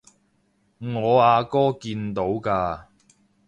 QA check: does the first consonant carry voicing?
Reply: yes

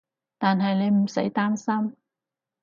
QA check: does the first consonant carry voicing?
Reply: no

